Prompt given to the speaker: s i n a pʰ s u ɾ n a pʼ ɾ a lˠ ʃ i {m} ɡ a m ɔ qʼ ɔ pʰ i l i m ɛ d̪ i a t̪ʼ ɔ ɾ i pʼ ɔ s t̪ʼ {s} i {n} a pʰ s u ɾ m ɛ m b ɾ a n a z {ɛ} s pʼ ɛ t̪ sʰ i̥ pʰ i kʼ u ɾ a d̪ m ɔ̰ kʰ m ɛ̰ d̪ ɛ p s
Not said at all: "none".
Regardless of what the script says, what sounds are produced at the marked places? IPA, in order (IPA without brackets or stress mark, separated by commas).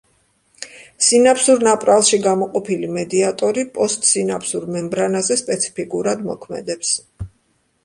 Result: none, s, n, ɛ